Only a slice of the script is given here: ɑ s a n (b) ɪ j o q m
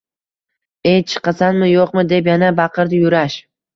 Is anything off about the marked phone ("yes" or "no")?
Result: yes